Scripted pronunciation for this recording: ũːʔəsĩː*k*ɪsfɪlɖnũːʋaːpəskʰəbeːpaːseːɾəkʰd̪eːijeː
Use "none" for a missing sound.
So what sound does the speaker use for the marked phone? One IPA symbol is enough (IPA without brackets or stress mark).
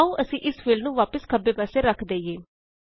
ʔ